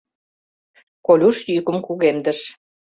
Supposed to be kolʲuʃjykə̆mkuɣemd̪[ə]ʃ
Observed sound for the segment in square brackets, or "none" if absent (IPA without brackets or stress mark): ə